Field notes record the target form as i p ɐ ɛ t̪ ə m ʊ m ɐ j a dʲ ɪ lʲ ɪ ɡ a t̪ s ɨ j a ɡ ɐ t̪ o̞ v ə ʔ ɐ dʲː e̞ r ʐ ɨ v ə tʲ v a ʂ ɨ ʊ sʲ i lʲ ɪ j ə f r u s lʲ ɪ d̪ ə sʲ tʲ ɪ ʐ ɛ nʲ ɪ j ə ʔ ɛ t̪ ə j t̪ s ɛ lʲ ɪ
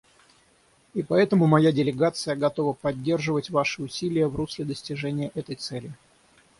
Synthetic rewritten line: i p ɐ ɛ t̪ ə m ʊ m ɐ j a dʲ ɪ lʲ ɪ ɡ a t̪ s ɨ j ə ɡ ɐ t̪ o̞ v ə p ɐ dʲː e̞ r ʐ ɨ v ə tʲ v a ʂ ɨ ʊ sʲ i lʲ ɪ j ə v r u s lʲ ɪ d̪ ə sʲ tʲ ɪ ʐ ɛ nʲ ɪ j ə ʔ ɛ t̪ ə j t̪ s ɛ lʲ ɪ